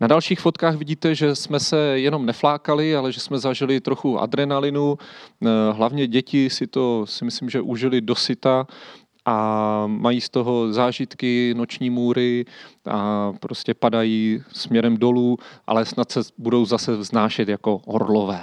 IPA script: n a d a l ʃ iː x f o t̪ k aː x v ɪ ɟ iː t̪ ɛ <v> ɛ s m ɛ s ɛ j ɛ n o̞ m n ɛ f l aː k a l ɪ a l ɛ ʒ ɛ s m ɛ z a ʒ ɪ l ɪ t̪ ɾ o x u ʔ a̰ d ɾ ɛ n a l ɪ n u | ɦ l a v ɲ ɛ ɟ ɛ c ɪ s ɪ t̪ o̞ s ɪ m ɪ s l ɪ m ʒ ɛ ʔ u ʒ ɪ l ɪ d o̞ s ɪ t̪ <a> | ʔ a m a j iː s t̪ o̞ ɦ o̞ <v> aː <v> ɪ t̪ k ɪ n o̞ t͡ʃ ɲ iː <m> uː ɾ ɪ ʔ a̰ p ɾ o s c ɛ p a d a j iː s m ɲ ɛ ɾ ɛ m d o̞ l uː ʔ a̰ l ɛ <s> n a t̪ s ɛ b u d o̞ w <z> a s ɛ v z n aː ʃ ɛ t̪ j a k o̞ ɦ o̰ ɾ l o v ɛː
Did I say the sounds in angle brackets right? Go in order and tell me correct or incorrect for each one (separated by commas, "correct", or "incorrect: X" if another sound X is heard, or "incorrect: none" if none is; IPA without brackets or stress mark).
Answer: incorrect: ʒ, correct, incorrect: z, incorrect: ʒ, correct, correct, correct